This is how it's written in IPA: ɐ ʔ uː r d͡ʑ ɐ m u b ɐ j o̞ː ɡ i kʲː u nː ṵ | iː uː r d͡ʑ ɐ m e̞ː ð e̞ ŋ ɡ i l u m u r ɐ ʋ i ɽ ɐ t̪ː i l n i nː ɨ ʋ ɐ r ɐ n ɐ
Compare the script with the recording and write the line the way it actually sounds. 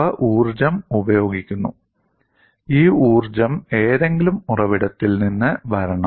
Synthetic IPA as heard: ɐ ʔ uː r d͡ʑ ɐ m u b ɐ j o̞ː ɡ i kʲː u nː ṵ | iː uː r d͡ʑ ɐ m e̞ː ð e̞ ŋ ɡ i l u m u r ɐ ʋ i ɽ ɐ t̪ː i l n i nː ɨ ʋ ɐ ɾ ɐ ɳ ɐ